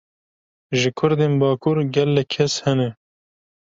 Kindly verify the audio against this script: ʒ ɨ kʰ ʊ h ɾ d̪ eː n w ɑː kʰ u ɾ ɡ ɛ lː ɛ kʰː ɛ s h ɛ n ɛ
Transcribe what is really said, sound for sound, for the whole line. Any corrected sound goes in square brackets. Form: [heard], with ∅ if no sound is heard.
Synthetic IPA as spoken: ʒ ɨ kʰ ʊ [∅] ɾ d̪ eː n [b] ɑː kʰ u ɾ ɡ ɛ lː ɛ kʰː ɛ s h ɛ n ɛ